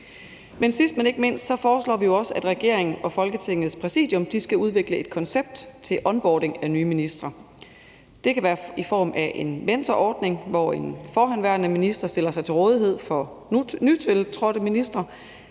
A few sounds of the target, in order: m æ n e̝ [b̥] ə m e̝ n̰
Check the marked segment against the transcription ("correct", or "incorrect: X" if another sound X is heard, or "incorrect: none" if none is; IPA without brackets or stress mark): incorrect: ɡ̥